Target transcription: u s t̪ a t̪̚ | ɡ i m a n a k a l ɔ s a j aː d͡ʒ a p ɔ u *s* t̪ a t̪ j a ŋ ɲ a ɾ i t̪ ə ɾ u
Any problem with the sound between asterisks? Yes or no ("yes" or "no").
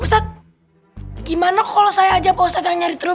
no